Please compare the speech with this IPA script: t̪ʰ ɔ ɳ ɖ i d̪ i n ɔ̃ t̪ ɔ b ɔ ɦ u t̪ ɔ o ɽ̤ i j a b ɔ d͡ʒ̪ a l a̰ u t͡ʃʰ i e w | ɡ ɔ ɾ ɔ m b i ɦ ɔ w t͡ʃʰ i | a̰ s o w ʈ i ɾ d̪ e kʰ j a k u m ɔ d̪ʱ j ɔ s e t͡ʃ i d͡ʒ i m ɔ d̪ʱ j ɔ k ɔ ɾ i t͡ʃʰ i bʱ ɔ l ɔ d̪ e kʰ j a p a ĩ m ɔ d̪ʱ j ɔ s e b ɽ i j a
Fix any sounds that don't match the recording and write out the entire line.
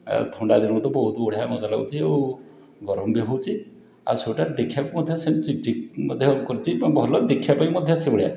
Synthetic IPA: t̪ʰ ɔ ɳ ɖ a d̪ i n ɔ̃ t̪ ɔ b ɔ ɦ u t̪ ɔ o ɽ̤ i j a m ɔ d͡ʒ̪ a l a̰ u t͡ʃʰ i e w | ɡ ɔ ɾ ɔ m b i ɦ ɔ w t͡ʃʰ i | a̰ s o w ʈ a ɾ d̪ e kʰ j a k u m ɔ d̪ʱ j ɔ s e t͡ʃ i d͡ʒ i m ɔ d̪ʱ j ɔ k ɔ ɾ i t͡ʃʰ i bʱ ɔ l ɔ d̪ e kʰ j a p a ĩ m ɔ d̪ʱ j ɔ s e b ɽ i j a